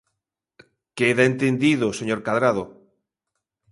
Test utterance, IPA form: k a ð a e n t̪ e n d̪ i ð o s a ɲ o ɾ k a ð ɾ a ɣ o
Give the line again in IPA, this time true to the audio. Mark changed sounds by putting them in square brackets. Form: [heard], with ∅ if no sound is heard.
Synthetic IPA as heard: k [e] ð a e n t̪ e n d̪ i ð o s [e] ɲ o ɾ k a ð ɾ a [ð] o